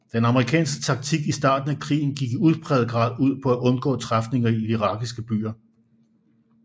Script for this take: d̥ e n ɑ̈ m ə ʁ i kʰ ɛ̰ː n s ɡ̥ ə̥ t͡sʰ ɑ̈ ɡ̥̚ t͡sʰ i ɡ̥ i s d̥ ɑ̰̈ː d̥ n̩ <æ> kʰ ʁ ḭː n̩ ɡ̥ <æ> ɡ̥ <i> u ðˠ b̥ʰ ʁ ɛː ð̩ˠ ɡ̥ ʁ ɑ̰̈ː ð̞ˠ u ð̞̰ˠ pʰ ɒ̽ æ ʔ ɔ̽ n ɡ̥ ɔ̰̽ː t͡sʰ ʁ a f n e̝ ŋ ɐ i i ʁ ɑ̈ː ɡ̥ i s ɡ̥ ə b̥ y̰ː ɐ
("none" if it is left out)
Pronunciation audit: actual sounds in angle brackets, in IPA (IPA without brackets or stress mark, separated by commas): æ, i, i